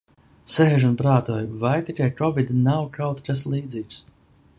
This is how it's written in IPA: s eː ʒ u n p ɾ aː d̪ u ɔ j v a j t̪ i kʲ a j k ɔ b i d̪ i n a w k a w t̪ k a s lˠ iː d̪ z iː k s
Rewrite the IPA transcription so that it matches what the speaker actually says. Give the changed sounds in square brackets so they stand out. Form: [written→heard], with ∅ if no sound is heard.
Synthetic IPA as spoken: s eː ʒ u n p ɾ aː [d̪→t̪] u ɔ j v a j t̪ i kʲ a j k ɔ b i d̪ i n a w k a w t̪ k a s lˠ iː d̪ z iː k s

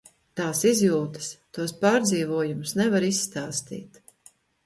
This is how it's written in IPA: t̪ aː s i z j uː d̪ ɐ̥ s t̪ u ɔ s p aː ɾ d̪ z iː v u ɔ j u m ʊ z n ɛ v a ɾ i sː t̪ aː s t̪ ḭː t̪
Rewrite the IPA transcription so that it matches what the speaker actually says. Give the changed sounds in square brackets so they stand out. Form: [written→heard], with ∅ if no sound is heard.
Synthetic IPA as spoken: t̪ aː s i z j uː [d̪→t̪] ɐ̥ s t̪ u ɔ s p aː ɾ d̪ z iː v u ɔ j u m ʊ [z→s] n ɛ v a ɾ i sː t̪ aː s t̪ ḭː t̪

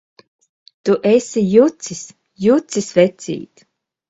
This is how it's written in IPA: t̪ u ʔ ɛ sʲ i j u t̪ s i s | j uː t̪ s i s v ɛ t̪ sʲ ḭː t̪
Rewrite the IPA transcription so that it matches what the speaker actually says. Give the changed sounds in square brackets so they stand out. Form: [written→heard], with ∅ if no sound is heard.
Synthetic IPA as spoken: t̪ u ʔ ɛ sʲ i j u t̪ s i s | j [uː→u] t̪ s i s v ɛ t̪ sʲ ḭː t̪

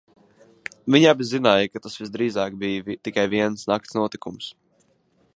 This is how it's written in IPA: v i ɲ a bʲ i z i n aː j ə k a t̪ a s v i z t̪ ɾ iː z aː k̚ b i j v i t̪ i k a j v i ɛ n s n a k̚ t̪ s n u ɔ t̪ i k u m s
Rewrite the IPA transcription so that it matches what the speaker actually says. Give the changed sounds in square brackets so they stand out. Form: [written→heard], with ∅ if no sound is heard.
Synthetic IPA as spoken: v i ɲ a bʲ i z i n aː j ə k a t̪ a s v i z [t̪→d̪] ɾ iː z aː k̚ b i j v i t̪ i k a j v i ɛ n s n a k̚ t̪ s n u ɔ t̪ i k u m s

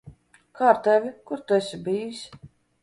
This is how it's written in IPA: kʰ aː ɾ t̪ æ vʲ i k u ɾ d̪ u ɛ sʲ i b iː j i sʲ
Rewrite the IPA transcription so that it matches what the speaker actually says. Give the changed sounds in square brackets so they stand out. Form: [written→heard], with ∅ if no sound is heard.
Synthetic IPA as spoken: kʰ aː ɾ t̪ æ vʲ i k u ɾ [d̪→t̪] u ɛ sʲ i b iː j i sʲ

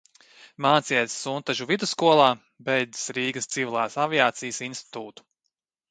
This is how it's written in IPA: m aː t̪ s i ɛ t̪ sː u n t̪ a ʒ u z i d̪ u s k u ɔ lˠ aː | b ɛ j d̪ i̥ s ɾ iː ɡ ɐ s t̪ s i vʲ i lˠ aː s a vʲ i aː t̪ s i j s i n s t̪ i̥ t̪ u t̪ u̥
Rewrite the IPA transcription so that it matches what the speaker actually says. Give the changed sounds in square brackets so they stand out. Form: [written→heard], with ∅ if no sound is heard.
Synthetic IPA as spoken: m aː t̪ s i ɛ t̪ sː u n t̪ a ʒ u [z→v] i d̪ u s k u ɔ lˠ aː | b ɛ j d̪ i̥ s ɾ iː ɡ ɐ s t̪ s i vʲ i lˠ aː s a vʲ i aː t̪ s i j s i n s t̪ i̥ t̪ [u→uː] t̪ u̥

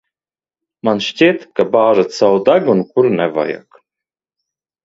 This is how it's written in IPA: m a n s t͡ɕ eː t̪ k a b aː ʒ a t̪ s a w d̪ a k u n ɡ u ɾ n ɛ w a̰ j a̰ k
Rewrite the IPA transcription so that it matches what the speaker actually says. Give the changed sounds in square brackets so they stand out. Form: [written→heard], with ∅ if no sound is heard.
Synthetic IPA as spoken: m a n [s→ʃ] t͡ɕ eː t̪ k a b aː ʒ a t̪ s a w d̪ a [k→ɡ] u n [ɡ→k] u ɾ n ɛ [w→v] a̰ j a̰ k

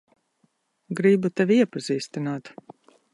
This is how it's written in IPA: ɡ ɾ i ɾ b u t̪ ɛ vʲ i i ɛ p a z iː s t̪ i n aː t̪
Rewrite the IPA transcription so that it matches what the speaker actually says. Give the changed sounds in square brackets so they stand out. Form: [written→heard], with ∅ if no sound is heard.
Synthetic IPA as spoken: ɡ ɾ i [ɾ→∅] b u t̪ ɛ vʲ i i ɛ p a z iː s t̪ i n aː t̪

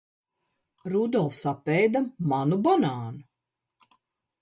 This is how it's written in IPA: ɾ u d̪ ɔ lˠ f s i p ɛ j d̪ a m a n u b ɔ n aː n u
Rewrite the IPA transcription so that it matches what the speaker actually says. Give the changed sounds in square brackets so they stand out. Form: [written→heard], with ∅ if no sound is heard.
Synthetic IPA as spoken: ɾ u d̪ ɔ lˠ f s [i→a] p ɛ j d̪ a m a n u b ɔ n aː n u

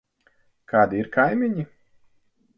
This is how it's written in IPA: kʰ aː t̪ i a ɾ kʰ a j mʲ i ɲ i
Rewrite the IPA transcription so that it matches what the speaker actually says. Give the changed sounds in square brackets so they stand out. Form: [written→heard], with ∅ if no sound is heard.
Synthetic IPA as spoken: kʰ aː [t̪→d̪] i [a→i] ɾ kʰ a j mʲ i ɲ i

